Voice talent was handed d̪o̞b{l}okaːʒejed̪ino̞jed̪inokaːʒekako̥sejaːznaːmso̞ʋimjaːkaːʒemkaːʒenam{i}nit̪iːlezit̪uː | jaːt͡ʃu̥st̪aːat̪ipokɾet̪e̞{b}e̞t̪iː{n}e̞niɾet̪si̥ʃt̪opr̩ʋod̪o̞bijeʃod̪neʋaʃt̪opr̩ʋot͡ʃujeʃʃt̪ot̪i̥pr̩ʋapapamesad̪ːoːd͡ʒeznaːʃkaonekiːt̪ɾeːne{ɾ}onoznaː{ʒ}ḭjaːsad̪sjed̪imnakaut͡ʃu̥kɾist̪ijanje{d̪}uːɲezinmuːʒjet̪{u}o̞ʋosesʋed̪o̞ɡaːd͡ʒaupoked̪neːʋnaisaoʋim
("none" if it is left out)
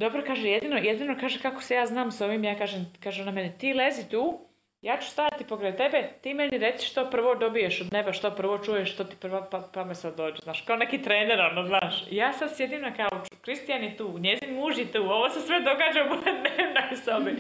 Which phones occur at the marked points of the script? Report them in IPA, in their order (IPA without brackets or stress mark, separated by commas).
ɾ, e, b, m, ɾ, ʃ, t̪, uː